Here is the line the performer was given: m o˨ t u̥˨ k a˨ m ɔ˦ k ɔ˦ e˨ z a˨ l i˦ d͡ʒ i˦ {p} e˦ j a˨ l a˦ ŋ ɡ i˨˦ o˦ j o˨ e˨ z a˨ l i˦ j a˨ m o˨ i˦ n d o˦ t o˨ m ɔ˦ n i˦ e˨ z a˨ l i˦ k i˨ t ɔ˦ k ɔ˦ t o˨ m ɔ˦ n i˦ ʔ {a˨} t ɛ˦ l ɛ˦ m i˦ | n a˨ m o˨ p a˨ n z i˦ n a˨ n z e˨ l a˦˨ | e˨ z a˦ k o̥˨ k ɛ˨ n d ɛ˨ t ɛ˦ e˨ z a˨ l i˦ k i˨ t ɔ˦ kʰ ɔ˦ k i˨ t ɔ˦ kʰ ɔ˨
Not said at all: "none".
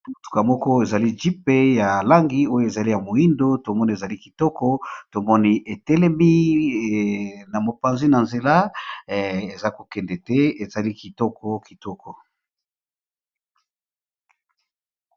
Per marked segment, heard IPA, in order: p, e˨

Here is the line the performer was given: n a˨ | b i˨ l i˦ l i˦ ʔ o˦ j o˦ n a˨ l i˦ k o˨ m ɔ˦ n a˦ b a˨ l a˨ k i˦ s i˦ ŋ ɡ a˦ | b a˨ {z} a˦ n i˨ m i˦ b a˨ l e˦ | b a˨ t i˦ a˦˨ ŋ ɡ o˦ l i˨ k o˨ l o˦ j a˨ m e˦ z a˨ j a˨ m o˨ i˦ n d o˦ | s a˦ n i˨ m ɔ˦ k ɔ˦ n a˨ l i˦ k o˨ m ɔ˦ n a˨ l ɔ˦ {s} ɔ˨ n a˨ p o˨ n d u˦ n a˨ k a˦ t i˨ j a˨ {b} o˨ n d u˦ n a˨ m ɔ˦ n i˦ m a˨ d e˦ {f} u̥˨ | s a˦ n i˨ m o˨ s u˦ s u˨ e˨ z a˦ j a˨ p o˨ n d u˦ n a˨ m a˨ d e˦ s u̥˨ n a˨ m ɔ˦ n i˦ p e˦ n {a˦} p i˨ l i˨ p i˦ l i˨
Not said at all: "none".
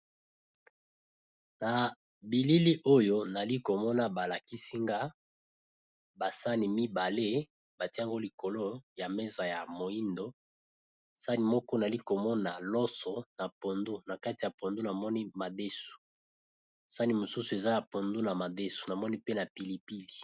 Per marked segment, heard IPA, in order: s, s, p, s, a˨

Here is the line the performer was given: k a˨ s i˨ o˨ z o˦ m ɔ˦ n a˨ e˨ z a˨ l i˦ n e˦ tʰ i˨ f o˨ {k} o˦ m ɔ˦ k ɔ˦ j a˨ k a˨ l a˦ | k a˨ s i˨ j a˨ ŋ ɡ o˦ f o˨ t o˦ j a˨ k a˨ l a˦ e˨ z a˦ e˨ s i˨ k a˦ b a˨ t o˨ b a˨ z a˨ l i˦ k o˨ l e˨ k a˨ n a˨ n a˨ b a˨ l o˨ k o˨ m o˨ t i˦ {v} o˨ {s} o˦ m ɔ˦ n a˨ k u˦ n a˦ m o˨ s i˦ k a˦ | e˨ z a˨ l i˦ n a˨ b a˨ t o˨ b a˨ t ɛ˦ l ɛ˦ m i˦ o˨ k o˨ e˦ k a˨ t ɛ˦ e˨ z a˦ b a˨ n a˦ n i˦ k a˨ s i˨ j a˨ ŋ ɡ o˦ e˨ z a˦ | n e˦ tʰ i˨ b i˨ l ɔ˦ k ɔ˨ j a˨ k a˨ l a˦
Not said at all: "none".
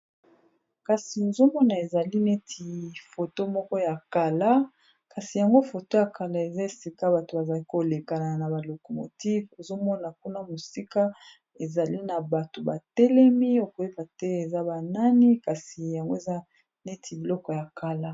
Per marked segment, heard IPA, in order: t, v, z

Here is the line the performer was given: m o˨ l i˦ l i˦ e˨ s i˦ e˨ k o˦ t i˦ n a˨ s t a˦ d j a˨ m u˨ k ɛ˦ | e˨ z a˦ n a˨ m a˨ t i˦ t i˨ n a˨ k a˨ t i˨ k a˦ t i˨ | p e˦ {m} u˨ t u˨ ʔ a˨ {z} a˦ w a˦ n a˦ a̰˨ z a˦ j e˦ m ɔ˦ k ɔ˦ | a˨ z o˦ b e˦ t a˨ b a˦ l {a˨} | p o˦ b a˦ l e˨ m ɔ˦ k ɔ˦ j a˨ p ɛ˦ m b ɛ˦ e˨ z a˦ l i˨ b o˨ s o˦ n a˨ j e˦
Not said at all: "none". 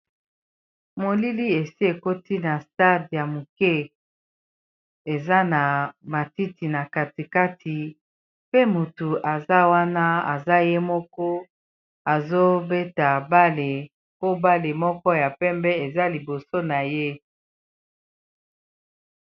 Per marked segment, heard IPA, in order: m, z, e˨

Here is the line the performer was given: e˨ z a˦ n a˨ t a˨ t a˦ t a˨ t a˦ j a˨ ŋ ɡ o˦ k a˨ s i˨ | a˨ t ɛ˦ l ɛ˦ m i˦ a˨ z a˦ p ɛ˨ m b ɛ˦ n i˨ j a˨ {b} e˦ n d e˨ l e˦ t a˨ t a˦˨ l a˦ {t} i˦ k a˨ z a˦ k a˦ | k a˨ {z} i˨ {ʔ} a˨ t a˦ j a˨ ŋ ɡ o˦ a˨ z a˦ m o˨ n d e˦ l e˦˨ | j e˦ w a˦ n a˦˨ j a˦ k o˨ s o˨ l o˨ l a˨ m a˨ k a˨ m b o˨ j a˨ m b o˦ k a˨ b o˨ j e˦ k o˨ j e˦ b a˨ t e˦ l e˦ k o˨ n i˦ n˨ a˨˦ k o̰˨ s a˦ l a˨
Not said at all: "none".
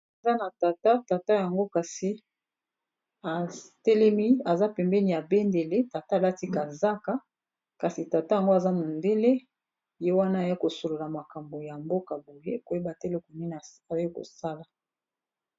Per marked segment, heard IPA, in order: b, t, s, t

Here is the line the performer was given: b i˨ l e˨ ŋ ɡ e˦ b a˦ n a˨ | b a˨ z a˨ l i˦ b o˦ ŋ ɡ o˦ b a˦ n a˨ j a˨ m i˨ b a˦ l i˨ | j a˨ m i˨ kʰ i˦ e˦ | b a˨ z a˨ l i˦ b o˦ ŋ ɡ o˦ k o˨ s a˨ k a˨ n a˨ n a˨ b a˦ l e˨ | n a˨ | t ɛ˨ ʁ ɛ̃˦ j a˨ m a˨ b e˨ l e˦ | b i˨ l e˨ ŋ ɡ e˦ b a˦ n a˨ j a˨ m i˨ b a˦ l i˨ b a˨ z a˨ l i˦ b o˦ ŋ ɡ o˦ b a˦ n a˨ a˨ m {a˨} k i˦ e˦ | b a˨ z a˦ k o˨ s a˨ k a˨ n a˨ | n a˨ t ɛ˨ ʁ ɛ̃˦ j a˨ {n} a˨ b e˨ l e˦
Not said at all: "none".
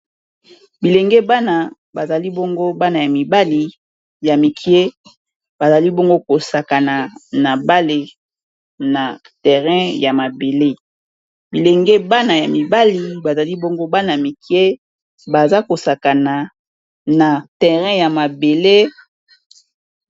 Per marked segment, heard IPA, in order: i˨, m

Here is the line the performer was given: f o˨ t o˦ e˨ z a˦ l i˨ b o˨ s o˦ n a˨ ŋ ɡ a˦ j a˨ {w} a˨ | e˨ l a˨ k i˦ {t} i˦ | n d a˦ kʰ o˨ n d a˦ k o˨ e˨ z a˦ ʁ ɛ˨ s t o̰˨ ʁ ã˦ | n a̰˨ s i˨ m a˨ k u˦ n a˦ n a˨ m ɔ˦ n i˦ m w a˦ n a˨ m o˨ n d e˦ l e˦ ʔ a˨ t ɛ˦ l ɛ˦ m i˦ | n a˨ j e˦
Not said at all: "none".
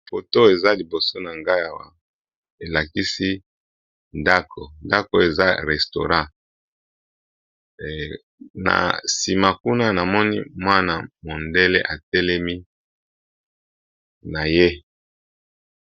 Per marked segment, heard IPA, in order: w, s

